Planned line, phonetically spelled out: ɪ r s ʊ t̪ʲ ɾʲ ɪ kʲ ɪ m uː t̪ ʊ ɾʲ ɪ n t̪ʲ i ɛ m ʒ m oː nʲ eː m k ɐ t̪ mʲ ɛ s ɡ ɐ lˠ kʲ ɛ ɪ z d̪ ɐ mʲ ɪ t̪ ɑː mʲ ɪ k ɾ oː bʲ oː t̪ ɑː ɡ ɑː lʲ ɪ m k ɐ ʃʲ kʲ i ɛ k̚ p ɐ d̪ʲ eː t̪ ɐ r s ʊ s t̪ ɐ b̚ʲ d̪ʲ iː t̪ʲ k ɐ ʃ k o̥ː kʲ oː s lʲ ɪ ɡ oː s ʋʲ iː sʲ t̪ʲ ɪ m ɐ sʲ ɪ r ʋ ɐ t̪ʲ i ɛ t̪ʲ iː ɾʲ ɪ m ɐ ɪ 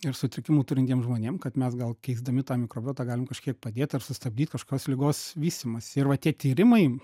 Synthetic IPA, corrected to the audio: ɪ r s ʊ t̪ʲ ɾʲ ɪ kʲ ɪ m uː t̪ ʊ ɾʲ ɪ n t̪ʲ i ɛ m ʒ m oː nʲ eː m k ɐ t̪ mʲ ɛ s ɡ ɐ lˠ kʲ ɛ ɪ z d̪ ɐ mʲ ɪ t̪ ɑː mʲ ɪ k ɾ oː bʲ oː t̪ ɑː ɡ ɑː lʲ ɪ m k ɐ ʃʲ kʲ i ɛ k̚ p ɐ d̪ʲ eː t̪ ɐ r s ʊ s t̪ ɐ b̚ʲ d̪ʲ iː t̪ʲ k ɐ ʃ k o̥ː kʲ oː s lʲ ɪ ɡ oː s ʋʲ iː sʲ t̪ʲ ɪ m ɐ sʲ ɪ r ʋ ɐ t̪ʲ i ɛ t̪ʲ iː ɾʲ ɪ m ɐ ɪ